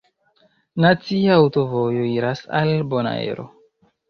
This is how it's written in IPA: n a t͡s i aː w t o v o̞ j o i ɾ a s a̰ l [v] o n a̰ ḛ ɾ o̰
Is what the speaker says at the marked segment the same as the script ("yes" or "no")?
no